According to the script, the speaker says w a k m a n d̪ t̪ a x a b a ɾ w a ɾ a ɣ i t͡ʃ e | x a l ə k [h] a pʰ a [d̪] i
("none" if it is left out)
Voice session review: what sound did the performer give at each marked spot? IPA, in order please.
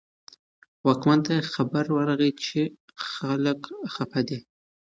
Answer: x, d̪

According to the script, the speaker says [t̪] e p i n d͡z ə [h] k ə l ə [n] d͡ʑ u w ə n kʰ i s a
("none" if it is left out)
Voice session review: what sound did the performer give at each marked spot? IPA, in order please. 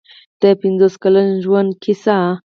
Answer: t̪, s, n

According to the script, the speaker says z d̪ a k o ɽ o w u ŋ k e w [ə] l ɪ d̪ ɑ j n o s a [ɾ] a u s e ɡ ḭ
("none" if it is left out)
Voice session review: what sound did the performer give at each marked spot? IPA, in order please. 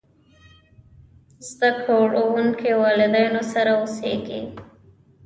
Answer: ɑ, ɾ

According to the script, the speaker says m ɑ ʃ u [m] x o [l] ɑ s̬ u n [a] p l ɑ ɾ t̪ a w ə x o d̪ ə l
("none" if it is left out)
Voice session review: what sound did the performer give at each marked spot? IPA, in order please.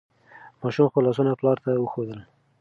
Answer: m, l, a

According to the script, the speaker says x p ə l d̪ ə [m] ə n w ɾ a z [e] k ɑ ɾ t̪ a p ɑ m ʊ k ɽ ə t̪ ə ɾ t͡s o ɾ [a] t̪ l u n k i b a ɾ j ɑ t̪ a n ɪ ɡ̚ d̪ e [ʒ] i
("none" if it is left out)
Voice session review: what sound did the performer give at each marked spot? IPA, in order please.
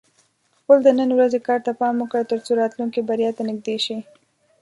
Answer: n, e, ɑ, ʃ

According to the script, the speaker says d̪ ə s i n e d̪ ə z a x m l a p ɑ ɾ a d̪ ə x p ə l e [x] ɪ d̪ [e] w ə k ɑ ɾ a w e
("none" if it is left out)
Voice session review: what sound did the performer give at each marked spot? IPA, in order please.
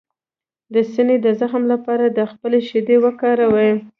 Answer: ʃ, e

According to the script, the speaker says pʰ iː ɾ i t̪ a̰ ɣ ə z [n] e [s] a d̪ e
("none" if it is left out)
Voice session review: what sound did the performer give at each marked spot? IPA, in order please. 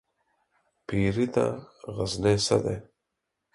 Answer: n, s

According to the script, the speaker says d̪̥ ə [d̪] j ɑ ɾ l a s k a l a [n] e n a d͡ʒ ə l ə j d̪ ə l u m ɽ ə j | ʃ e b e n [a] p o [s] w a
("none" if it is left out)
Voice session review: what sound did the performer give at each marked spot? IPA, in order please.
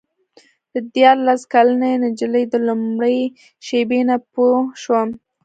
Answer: d̪, n, a, ʃ

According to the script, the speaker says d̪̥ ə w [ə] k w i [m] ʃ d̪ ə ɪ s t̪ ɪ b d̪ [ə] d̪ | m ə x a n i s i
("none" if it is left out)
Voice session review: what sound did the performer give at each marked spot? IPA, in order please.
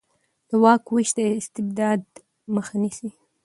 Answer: ɑ, none, ɑ

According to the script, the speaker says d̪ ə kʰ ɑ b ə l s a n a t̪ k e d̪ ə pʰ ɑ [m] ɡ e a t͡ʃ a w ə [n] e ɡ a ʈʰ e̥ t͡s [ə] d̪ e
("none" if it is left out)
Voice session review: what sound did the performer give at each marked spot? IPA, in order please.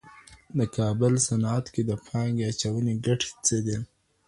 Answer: ŋ, n, ə

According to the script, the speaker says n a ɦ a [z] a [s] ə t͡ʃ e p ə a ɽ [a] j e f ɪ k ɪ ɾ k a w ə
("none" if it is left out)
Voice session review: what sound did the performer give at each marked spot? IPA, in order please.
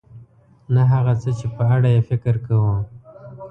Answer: ɣ, t͡s, a

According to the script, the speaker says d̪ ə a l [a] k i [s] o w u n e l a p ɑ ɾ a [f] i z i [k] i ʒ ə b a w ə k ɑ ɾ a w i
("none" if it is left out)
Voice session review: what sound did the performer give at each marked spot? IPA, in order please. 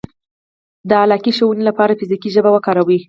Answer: ɑ, ʃ, f, k

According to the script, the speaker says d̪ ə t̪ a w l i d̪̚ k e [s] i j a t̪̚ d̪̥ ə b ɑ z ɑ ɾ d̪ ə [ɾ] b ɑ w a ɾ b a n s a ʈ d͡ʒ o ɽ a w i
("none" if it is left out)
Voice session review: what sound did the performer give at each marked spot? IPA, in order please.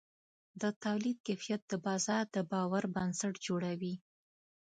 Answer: f, none

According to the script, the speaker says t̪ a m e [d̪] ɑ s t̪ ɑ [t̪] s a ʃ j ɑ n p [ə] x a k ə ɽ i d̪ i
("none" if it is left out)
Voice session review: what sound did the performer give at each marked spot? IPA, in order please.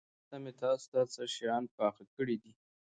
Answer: t̪, none, ɑ

